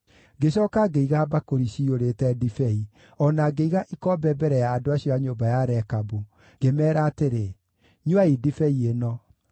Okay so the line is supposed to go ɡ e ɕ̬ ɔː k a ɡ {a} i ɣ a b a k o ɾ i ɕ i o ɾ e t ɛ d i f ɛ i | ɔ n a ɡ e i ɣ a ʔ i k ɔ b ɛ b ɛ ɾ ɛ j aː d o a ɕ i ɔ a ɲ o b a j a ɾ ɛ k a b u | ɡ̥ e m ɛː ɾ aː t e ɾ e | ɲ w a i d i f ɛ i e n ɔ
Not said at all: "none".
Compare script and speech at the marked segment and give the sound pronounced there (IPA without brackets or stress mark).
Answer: e